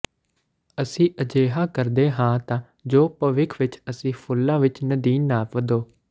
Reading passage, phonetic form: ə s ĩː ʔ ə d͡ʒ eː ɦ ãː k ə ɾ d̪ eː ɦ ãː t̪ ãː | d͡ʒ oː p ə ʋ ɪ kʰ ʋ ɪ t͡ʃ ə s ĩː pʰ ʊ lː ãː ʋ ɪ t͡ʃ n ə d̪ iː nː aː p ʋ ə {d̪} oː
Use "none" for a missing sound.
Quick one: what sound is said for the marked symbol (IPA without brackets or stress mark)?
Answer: d̪